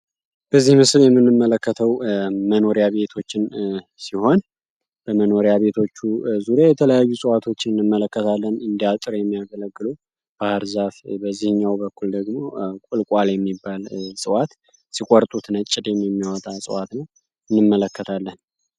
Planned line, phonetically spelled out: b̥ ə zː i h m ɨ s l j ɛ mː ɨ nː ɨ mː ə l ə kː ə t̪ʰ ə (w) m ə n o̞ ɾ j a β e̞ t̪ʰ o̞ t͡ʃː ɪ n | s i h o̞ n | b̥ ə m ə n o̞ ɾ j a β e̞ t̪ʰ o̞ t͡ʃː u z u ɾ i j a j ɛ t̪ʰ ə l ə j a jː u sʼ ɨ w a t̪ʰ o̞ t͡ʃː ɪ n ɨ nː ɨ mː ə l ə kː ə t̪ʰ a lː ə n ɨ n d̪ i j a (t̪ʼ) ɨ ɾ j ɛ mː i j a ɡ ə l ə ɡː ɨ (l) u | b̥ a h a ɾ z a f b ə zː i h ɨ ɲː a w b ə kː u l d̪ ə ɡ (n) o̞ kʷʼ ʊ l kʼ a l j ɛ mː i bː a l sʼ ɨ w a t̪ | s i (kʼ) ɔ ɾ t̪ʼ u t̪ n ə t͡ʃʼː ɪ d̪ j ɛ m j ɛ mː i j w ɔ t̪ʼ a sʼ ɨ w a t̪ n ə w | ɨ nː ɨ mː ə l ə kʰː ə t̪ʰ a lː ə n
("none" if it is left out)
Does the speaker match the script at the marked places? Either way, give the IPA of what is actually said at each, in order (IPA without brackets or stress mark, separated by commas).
w, t̪ʼ, l, m, kʼ